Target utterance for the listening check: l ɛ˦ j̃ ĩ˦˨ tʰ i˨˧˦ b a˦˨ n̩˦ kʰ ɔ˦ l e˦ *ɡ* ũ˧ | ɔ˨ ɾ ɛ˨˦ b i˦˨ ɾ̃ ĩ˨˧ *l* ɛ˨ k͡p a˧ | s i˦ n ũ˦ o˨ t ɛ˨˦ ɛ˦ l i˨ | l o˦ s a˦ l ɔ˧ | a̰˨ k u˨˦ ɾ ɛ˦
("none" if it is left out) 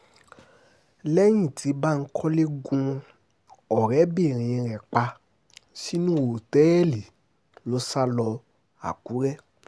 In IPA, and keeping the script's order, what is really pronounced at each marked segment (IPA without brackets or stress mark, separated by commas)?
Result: ɡ, ɾ